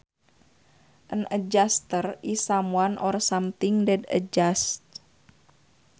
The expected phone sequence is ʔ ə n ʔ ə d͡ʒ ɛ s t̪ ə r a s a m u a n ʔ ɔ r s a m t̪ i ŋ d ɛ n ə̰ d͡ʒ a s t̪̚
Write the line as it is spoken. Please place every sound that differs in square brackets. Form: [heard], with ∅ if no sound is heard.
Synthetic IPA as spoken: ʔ ə n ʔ ə d͡ʒ [a] s t̪ ə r [i] s a m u a n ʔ ɔ r s a m t̪ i ŋ d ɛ [d] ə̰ d͡ʒ a s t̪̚